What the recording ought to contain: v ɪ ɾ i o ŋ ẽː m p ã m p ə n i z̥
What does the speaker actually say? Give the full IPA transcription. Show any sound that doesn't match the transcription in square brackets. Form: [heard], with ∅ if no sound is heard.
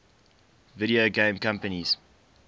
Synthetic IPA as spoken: v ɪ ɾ i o [ɡ] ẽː m [k] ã m p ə n i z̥

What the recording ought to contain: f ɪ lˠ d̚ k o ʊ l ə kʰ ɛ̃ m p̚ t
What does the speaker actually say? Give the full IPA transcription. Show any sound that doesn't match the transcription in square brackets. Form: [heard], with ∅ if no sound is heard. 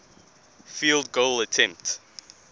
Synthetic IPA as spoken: f [i] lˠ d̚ [ɡ] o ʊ l ə [tʰ] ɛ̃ m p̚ t

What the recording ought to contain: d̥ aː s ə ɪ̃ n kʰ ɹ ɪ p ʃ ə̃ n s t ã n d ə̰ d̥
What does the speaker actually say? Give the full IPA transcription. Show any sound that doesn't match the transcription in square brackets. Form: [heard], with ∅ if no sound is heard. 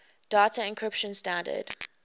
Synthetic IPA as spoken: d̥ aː [t] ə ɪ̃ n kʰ ɹ ɪ p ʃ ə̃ n s t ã n d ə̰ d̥

